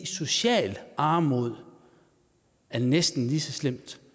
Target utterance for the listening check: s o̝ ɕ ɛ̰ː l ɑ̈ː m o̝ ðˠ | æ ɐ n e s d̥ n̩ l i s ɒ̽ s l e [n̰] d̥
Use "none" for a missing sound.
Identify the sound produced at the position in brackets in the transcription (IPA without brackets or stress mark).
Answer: m̰